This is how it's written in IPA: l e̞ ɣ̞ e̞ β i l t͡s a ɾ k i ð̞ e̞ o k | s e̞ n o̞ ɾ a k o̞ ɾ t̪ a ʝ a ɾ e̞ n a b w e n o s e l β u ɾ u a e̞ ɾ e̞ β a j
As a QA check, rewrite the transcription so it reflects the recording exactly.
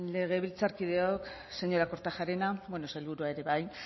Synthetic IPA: l e̞ ɣ̞ e̞ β i l t͡s a ɾ k i ð̞ e̞ o k | s e̞ ɲ o̞ ɾ a k o̞ ɾ t̪ a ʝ a ɾ e̞ n a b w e n o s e l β u ɾ u a e̞ ɾ e̞ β a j